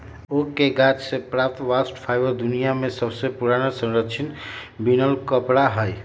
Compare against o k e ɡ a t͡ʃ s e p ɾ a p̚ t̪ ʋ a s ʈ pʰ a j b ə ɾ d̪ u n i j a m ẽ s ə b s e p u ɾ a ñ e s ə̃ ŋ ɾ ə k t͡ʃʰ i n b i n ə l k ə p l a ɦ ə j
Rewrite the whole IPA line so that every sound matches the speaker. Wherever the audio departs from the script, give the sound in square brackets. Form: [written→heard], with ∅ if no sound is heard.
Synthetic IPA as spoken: o k e ɡ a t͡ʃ s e p ɾ a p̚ t̪ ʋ a s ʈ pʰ a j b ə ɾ d̪ u n i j a m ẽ s ə b s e p u ɾ a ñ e s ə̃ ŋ ɾ ə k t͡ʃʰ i n b i n ə l k ə p [l→ɽ] a ɦ ə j